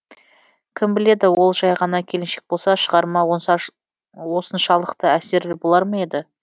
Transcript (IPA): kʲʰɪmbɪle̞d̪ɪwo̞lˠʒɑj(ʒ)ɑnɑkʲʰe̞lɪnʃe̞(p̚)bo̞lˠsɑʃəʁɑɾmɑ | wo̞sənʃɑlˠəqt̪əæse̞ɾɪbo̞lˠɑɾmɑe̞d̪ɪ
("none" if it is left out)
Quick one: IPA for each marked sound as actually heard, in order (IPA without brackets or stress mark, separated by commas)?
ʁ, k̚